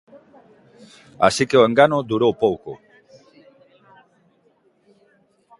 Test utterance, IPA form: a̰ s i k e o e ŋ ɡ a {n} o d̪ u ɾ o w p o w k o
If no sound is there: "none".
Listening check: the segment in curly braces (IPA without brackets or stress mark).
n